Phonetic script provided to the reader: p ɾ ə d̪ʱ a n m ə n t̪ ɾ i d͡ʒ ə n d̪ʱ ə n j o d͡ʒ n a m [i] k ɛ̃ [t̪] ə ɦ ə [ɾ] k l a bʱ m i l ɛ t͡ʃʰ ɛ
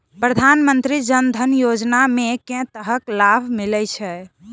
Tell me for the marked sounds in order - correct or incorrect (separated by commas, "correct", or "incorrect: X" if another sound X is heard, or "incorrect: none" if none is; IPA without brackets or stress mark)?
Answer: incorrect: e, correct, incorrect: none